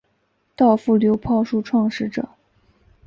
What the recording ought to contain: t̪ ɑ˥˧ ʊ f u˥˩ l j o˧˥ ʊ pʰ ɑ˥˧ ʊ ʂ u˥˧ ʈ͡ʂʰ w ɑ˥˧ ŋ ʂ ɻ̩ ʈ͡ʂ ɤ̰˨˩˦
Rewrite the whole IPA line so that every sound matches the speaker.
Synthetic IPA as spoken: t̪ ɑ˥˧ ʊ f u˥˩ l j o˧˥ ʊ pʰ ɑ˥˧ ʊ ʂ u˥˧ ʈ͡ʂʰ w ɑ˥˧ ŋ ʂ ɻ̩ ʈ͡ʂ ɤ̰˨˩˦